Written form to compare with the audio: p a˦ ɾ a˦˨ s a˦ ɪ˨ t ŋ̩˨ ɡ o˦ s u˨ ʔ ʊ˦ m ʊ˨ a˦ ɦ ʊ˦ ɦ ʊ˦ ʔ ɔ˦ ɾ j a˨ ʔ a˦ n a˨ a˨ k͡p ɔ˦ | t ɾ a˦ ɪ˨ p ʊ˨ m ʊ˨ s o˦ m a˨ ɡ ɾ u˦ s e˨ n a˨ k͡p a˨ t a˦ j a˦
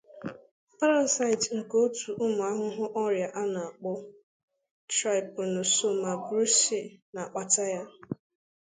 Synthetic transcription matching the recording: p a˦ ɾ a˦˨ s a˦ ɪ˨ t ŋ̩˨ k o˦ t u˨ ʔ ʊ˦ m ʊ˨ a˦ ɦ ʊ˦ ɦ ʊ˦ ʔ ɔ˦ ɾ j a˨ ʔ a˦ n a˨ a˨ k͡p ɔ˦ | t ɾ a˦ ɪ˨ p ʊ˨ n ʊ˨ s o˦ m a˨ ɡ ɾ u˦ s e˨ n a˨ k͡p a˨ t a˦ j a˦